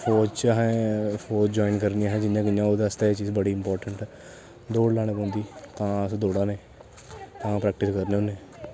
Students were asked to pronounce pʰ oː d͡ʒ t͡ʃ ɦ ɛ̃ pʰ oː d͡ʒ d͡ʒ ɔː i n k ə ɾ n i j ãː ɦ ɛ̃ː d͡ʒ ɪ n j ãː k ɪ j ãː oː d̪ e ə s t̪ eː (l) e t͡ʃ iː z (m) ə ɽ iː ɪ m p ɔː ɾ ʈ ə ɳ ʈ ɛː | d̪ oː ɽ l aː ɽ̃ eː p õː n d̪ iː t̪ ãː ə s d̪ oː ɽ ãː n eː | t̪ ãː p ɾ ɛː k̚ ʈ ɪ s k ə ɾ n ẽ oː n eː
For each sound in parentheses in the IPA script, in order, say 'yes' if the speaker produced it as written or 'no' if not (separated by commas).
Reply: no, no